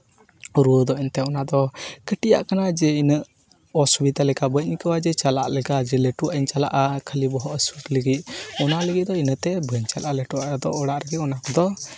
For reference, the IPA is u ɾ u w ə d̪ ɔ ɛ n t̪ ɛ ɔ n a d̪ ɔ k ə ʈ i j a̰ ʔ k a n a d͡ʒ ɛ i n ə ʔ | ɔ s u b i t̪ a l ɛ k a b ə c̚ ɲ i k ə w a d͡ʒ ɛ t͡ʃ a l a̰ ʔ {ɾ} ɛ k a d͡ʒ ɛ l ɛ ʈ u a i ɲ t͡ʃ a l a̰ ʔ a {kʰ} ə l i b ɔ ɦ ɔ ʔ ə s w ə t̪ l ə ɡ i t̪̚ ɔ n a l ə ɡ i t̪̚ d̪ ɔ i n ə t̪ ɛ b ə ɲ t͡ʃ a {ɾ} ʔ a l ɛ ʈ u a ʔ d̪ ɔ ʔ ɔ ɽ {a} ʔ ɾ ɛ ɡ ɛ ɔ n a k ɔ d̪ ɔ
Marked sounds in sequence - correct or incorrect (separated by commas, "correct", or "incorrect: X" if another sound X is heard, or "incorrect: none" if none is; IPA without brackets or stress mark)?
incorrect: l, correct, incorrect: l, correct